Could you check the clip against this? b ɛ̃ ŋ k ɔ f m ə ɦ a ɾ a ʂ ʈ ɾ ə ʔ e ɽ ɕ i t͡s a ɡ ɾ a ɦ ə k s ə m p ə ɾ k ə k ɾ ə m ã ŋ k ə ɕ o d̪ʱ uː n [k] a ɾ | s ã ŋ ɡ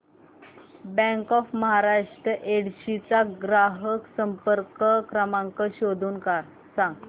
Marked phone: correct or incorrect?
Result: correct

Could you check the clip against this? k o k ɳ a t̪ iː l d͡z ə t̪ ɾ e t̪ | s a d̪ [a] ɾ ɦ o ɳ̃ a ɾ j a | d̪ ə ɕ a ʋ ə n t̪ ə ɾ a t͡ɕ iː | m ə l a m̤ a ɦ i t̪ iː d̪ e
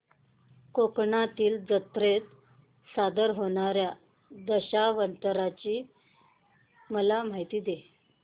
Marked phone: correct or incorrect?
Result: incorrect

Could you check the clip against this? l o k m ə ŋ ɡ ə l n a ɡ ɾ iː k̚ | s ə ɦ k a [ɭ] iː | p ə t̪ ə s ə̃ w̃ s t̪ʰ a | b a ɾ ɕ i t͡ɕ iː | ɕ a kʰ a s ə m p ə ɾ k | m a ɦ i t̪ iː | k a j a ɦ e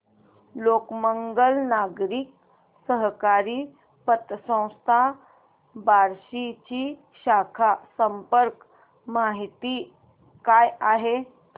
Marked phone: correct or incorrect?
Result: incorrect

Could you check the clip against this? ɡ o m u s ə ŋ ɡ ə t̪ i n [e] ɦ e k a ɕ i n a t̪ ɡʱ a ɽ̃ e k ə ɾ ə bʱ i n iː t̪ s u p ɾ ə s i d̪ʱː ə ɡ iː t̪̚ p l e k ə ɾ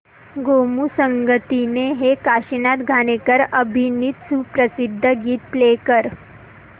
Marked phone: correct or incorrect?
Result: correct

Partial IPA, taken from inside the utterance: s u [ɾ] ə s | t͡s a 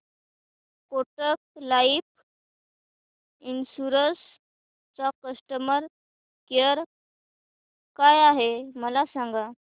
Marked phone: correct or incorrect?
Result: correct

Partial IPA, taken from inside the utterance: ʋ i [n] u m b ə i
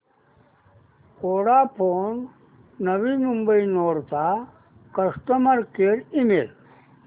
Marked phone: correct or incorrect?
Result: incorrect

